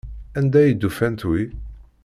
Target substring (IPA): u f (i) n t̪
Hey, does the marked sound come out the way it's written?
no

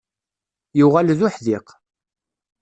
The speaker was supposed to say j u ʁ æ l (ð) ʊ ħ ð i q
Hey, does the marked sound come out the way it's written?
yes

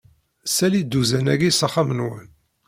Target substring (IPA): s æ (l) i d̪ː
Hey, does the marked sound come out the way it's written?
yes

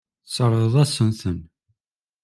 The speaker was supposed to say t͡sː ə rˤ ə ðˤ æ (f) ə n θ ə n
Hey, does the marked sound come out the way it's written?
no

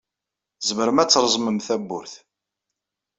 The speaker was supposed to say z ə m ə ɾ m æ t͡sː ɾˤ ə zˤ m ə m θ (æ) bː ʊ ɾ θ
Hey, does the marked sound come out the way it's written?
yes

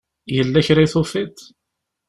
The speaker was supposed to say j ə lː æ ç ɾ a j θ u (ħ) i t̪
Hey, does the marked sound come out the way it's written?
no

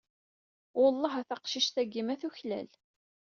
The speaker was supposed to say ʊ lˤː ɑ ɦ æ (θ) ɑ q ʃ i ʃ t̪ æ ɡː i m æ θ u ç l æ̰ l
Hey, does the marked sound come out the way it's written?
yes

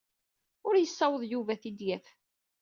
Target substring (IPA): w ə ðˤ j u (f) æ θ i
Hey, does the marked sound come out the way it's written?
no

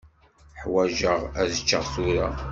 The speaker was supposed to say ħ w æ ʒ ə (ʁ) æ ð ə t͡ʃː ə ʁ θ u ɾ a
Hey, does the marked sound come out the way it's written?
yes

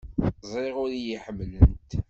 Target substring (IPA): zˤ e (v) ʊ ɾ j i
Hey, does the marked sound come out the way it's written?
no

